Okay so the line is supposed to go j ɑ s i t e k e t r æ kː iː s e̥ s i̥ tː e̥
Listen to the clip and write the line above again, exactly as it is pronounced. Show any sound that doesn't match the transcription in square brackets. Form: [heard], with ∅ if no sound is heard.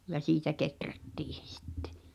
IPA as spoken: j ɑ s [iː] t [æ] k e t r æ [tː] iː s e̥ s i̥ tː e̥